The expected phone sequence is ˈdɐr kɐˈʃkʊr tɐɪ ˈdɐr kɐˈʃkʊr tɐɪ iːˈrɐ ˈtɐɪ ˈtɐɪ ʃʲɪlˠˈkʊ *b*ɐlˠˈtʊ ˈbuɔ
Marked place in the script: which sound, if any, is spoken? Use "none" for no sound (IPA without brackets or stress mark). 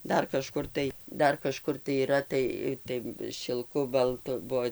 b